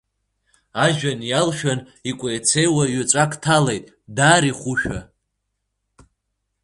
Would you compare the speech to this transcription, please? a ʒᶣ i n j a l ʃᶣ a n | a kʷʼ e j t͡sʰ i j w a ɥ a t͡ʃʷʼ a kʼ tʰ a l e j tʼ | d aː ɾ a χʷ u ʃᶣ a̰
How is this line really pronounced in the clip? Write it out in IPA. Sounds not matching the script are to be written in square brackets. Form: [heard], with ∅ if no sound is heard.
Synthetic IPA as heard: a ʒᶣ [a] n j a l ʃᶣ a n | [i] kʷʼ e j t͡sʰ [e] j w a ɥ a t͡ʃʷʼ a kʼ tʰ a l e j tʼ | d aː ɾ [i] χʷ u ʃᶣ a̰